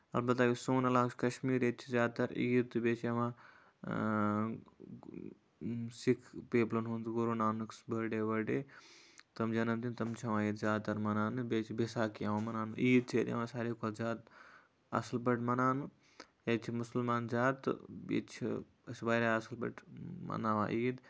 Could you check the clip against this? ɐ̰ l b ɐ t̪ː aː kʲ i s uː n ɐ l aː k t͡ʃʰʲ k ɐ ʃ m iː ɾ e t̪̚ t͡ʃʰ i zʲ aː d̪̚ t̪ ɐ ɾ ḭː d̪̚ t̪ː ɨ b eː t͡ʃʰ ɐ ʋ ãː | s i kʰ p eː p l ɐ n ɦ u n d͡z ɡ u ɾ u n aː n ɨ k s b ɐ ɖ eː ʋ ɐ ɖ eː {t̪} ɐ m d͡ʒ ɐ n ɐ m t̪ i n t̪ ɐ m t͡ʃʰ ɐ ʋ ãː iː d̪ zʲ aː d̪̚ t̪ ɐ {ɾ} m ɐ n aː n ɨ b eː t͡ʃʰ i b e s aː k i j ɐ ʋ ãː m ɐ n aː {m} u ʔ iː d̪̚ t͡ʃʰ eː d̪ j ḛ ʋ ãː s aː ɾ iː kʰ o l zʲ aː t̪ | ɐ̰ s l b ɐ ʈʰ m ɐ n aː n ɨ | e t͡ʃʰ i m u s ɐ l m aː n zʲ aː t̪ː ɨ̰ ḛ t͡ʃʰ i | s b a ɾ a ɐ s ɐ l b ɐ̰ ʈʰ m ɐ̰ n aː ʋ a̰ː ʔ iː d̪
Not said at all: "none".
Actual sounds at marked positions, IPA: t̪, ɾ, n

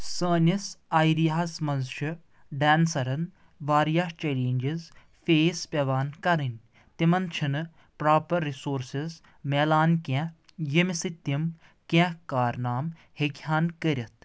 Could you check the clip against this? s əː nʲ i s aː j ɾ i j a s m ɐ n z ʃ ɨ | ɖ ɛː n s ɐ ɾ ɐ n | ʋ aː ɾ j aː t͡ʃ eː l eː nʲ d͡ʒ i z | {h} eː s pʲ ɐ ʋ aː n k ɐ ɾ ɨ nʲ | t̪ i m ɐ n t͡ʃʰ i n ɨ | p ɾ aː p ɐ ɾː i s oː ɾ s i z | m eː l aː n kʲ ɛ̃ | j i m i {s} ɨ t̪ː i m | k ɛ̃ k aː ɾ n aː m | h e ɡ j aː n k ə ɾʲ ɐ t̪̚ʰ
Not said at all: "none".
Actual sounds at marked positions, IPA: f, s

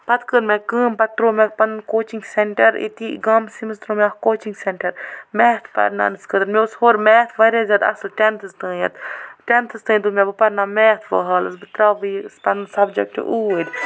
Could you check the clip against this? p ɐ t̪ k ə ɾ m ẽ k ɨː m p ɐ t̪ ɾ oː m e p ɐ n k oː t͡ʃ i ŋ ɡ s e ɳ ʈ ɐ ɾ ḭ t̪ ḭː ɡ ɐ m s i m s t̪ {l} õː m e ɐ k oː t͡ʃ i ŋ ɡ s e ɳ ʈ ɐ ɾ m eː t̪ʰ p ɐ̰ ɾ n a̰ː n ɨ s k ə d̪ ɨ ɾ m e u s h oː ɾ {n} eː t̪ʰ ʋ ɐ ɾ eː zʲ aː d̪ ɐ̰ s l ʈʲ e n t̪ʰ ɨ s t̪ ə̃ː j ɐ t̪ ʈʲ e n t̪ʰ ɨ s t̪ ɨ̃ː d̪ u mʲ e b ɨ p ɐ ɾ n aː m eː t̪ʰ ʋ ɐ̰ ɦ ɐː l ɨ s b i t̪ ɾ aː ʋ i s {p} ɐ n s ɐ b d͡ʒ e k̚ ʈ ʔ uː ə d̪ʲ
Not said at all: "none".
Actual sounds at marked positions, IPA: ɾ, m, p

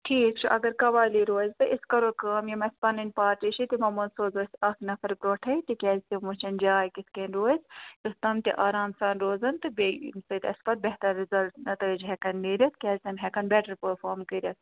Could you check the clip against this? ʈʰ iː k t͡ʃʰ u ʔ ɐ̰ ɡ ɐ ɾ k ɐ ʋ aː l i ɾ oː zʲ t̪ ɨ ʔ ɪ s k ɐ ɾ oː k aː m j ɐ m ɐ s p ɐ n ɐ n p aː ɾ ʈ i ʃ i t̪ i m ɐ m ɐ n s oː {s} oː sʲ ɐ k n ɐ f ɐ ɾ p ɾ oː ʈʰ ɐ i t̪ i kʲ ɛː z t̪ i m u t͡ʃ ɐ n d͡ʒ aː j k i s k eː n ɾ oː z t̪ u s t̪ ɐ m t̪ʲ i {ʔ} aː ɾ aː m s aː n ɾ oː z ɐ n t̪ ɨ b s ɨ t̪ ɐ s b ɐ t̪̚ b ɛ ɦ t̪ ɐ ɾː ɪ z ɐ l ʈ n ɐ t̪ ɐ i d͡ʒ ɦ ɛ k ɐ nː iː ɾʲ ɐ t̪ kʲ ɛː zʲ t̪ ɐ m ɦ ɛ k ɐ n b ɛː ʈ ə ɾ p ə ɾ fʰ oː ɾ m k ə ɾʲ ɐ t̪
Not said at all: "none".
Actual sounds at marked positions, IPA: z, ʔ

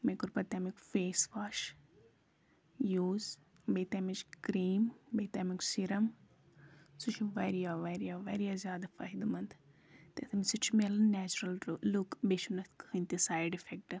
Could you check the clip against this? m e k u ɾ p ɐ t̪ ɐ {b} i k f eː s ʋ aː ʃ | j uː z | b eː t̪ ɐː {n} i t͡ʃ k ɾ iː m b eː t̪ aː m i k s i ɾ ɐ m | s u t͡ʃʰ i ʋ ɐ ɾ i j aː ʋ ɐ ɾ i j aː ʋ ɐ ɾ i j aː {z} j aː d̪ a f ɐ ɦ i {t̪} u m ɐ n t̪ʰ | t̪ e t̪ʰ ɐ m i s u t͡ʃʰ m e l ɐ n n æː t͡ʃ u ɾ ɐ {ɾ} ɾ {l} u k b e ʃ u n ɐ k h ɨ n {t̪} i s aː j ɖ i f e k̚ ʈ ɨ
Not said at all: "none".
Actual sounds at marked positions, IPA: m, m, z, d̪, l, l, t̪

